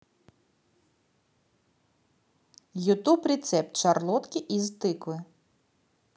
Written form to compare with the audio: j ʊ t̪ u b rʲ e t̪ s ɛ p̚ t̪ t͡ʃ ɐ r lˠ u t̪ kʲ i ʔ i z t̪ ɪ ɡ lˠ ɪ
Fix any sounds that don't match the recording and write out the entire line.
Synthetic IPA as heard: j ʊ t̪ u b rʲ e t̪ s ɛ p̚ t̪ t͡ʃ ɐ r lˠ ɔ t̪ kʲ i ʔ i z t̪ ɪ k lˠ ɪ